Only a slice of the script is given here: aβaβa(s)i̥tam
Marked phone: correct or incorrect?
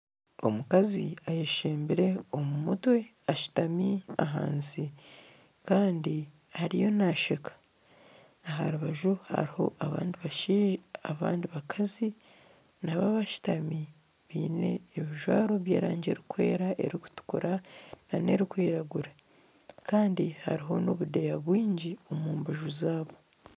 incorrect